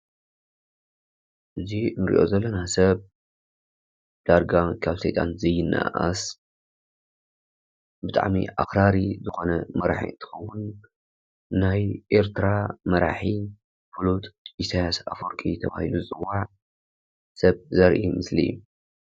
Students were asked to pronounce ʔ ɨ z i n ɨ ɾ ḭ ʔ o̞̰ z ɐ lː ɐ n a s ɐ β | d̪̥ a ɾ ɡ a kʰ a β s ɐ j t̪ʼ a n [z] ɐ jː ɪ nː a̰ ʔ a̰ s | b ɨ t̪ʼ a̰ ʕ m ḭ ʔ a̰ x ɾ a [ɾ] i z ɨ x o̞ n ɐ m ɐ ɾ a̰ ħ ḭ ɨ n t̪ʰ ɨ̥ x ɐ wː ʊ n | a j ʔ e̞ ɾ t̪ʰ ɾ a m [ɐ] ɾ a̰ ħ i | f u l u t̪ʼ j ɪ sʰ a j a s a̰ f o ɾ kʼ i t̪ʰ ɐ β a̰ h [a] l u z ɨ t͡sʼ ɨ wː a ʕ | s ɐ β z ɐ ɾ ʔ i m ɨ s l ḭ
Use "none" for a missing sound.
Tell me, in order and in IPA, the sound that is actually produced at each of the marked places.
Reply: z, ɾ, ɐ, i

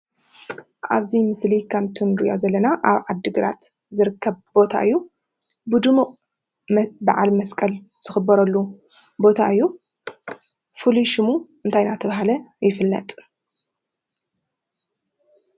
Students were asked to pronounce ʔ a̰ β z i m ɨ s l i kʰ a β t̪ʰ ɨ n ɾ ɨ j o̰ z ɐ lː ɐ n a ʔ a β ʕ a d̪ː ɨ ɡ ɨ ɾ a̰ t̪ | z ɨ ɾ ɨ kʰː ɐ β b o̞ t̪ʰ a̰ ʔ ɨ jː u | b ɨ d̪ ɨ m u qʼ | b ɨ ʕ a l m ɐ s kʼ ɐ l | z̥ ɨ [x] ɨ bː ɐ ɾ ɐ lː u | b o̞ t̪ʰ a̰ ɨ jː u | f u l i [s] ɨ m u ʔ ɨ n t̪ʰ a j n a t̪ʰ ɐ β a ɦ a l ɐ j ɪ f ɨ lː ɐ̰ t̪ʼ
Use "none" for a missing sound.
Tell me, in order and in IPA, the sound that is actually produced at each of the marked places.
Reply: x, ʃ

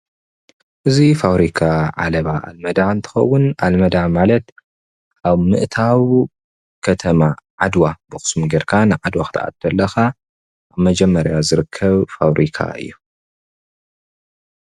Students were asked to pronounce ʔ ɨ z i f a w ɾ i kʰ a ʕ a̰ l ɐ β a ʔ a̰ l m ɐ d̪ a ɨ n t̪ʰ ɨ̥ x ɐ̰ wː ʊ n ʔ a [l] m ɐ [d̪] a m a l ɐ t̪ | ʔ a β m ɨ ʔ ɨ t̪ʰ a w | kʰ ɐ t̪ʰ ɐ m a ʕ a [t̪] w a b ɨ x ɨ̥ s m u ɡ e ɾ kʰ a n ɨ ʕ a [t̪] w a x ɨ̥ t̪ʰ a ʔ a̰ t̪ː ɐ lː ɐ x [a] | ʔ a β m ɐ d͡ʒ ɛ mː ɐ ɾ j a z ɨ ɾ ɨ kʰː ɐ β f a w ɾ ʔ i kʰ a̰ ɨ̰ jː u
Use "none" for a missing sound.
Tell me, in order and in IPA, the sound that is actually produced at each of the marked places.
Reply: l, d̪, d̪, d̪, a

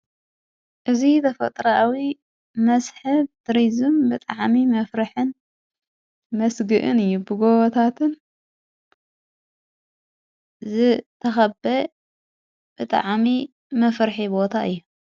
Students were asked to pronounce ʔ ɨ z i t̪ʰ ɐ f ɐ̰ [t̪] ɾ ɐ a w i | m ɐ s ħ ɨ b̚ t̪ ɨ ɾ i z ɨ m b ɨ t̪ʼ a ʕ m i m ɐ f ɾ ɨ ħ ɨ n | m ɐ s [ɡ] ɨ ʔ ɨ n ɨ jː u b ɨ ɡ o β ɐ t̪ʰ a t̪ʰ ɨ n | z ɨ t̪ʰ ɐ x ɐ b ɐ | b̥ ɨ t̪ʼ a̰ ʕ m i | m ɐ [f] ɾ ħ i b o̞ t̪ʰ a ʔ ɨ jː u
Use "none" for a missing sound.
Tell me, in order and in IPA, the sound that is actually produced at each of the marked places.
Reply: t̪ʼ, ɡ, f

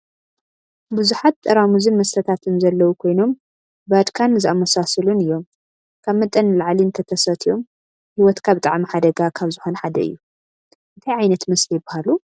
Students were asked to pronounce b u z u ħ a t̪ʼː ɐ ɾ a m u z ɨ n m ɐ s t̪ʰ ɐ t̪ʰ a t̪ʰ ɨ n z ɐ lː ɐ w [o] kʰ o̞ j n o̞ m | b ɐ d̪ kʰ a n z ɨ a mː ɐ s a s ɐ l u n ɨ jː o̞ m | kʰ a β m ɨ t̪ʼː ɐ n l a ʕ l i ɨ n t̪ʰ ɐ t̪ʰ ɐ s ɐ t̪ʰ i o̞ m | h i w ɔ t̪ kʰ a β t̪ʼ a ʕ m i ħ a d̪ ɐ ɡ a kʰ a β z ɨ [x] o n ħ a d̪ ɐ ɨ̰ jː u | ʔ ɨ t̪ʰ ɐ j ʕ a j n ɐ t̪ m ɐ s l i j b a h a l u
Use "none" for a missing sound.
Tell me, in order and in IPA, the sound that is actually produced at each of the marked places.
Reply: u, x

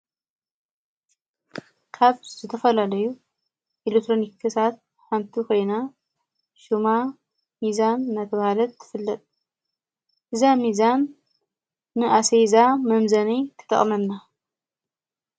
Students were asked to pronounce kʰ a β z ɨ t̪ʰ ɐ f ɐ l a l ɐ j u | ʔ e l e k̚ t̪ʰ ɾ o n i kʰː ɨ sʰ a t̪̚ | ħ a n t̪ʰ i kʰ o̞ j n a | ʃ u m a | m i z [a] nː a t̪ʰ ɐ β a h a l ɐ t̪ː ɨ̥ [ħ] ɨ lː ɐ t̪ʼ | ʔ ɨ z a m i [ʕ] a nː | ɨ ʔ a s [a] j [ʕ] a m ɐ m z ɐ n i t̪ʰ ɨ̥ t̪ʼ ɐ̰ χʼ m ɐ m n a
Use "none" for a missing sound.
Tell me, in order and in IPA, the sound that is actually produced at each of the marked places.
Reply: a, f, z, e, z

